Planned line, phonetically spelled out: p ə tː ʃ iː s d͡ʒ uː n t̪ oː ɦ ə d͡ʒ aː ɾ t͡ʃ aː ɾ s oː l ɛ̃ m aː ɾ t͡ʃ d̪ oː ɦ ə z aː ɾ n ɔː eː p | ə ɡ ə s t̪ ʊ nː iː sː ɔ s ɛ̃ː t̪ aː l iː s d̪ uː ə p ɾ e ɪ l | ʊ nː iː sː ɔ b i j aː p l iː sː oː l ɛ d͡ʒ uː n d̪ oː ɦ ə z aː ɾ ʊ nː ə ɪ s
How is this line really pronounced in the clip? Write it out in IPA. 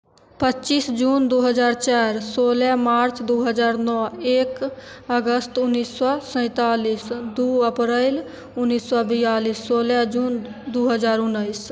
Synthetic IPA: p ə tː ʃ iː s d͡ʒ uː n d̪ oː ɦ ə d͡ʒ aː ɾ t͡ʃ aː ɾ s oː l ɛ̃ m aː ɾ t͡ʃ d̪ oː ɦ ə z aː ɾ n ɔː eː k | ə ɡ ə s t̪ ʊ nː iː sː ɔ s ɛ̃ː t̪ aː l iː s d̪ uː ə p ɾ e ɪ l | ʊ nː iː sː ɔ b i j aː l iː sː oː l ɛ d͡ʒ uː n d̪ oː ɦ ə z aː ɾ ʊ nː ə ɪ s